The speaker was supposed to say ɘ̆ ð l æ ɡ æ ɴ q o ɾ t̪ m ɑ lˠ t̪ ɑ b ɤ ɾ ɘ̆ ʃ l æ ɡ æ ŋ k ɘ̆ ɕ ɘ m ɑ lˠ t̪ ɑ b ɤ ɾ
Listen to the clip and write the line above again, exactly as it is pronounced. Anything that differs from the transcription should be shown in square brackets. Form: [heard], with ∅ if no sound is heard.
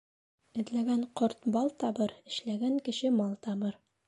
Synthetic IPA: ɘ̆ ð l æ ɡ æ ɴ q o ɾ t̪ [b] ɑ lˠ t̪ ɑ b ɤ ɾ ɘ̆ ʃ l æ ɡ æ ŋ k ɘ̆ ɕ ɘ m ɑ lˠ t̪ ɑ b ɤ ɾ